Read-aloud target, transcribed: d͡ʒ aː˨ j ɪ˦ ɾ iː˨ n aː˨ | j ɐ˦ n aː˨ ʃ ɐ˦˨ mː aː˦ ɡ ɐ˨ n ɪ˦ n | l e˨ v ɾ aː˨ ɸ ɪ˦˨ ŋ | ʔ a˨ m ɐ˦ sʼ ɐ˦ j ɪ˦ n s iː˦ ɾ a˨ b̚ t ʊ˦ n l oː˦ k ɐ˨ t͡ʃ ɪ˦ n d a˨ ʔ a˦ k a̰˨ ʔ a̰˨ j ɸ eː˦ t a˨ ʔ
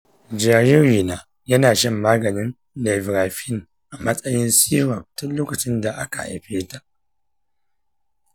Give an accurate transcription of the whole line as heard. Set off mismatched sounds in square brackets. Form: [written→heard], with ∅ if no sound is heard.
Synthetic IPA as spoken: d͡ʒ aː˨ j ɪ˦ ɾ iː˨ n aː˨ | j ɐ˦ n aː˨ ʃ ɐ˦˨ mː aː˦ ɡ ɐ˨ n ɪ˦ n | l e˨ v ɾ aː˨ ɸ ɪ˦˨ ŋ | ʔ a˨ m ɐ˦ sʼ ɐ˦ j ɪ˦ n s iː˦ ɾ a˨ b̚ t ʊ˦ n l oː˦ k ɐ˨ t͡ʃ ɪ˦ n d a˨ ʔ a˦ k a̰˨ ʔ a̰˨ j ɸ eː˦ t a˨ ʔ